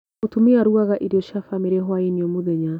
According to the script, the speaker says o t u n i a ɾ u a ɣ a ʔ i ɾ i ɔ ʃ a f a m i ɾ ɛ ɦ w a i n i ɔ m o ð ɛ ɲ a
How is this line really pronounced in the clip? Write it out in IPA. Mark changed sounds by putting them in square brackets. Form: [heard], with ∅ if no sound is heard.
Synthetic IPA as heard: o t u [m] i a ɾ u a ɣ a ʔ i ɾ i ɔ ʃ a f a m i ɾ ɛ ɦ w a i n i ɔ m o ð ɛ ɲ a